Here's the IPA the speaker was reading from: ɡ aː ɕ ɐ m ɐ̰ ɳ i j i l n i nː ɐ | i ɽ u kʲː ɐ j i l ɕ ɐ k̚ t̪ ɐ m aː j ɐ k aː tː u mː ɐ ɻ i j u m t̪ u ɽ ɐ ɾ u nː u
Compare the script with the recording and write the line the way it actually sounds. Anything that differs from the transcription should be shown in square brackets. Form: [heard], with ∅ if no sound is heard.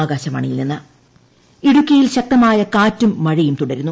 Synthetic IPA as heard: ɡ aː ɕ ɐ m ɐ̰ ɳ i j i l n i nː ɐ | i ɽ u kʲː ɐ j i l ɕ ɐ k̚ t̪ ɐ m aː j ɐ k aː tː u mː ɐ ɻ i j u m t̪ u ɽ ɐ ɾ u nː u